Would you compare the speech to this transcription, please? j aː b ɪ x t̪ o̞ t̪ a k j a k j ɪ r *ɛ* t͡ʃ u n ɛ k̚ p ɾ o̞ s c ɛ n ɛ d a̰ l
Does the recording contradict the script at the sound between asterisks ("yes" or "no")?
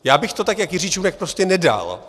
yes